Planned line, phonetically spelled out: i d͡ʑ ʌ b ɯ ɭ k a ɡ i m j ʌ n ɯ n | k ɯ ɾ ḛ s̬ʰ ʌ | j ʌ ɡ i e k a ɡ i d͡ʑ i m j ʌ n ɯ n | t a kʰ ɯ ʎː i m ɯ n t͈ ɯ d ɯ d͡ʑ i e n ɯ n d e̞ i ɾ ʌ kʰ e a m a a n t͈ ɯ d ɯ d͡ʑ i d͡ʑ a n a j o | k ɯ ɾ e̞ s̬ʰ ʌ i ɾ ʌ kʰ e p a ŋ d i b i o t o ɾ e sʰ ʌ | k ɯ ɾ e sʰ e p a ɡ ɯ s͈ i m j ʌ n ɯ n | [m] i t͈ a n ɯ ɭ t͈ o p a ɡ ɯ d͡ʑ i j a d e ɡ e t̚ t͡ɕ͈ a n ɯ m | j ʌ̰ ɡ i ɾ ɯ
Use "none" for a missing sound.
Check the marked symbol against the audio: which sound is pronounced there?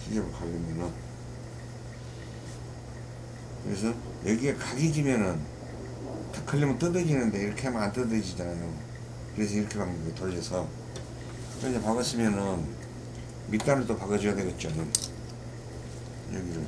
m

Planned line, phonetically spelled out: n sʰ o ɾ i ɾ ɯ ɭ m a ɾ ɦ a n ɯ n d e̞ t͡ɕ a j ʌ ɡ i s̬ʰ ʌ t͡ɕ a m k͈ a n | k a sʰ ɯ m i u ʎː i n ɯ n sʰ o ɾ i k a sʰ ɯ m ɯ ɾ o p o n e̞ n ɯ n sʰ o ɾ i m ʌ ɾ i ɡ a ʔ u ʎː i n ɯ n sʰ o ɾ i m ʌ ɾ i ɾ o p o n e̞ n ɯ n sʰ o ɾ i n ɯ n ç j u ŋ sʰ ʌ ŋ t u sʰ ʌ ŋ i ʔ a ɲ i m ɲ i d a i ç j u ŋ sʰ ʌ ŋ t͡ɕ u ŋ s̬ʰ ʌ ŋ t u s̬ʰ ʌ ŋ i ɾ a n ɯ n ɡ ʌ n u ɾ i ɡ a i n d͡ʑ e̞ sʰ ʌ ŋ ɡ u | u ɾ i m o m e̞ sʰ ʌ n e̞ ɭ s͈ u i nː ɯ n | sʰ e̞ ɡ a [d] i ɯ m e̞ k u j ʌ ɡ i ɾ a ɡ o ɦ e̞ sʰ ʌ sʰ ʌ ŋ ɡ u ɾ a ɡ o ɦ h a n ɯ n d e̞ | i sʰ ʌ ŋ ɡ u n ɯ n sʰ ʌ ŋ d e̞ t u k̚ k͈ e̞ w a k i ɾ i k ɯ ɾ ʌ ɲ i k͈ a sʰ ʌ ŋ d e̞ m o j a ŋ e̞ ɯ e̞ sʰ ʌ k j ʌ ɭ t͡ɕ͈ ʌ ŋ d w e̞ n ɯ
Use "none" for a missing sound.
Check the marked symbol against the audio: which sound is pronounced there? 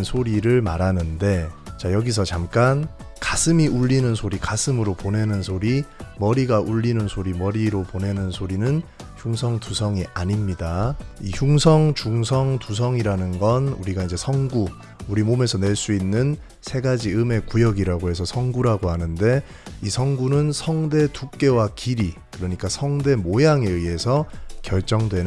d͡ʑ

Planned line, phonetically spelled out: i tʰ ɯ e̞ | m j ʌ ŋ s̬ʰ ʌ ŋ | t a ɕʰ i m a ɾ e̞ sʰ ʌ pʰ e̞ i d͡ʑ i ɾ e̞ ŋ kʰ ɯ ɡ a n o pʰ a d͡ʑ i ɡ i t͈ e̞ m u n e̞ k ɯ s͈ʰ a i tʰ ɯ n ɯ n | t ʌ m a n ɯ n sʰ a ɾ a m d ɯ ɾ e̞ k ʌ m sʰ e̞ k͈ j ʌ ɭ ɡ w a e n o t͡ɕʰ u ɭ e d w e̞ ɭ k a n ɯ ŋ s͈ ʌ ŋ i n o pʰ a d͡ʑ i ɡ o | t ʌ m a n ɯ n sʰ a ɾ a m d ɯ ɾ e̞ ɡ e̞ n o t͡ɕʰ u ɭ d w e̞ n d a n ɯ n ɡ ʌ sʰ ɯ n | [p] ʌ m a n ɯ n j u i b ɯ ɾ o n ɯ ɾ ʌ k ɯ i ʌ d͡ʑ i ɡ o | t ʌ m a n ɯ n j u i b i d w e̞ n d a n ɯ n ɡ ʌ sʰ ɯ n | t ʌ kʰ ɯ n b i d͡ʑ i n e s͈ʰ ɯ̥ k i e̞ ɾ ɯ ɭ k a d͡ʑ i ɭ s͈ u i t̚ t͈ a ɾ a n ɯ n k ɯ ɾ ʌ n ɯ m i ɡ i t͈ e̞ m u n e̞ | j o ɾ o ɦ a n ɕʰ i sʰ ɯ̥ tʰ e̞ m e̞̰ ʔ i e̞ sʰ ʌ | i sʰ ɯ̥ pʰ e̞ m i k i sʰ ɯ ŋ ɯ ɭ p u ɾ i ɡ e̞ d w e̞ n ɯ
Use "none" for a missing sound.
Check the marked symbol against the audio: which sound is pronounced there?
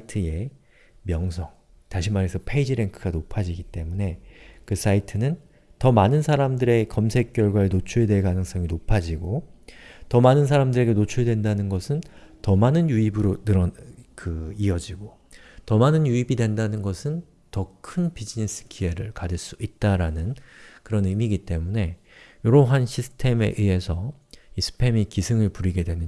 t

